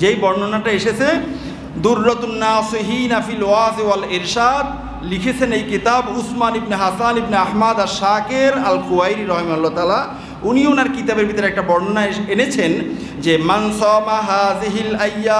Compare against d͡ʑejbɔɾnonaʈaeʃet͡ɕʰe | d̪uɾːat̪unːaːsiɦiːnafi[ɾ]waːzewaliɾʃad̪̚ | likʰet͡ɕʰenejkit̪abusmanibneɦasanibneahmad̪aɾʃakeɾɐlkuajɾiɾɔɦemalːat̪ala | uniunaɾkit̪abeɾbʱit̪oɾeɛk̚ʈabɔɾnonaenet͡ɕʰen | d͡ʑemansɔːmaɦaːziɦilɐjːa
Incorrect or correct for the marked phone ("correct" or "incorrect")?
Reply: incorrect